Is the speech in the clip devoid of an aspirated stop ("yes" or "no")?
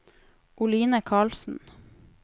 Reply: no